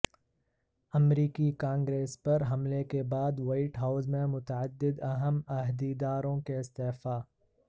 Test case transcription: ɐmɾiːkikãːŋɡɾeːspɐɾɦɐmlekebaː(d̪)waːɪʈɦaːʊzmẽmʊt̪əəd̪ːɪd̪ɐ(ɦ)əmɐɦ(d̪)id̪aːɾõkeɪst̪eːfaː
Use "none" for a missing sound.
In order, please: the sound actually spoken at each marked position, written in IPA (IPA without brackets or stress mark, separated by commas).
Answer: d̪, ɦ, d̪